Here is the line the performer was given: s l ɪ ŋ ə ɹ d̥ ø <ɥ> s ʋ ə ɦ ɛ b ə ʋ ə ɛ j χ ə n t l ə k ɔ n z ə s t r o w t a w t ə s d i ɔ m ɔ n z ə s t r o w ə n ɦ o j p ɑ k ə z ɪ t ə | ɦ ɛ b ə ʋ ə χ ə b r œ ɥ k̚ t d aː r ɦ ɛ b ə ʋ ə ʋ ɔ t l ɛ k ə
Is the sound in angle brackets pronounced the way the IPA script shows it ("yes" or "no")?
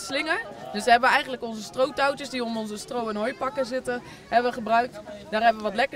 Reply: no